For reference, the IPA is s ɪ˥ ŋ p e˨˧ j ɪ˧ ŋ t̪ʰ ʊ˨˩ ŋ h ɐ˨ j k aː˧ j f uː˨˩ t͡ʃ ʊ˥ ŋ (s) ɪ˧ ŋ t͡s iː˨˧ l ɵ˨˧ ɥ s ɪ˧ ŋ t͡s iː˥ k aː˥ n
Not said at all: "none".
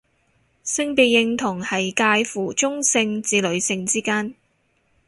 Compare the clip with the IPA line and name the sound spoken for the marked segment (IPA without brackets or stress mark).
s